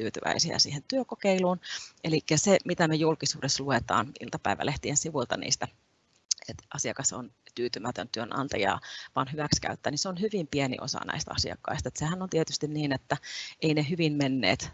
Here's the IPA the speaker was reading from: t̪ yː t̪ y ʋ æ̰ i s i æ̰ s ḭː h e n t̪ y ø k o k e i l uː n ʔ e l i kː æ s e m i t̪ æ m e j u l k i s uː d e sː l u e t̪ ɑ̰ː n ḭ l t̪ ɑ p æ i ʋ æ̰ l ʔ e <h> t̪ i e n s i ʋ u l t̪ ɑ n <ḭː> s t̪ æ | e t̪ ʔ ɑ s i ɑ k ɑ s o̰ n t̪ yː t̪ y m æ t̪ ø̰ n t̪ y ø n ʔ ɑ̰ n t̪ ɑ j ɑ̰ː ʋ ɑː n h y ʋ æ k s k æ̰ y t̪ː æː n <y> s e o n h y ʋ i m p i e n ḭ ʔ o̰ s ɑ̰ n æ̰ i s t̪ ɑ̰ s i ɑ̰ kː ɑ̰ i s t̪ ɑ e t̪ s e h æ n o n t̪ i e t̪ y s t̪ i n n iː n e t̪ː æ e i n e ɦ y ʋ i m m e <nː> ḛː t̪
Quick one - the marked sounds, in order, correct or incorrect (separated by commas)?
correct, correct, incorrect, correct